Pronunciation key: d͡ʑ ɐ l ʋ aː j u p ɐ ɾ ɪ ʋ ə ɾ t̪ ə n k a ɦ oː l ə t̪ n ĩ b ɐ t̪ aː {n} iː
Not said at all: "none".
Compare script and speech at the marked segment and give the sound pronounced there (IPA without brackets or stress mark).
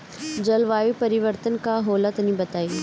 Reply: none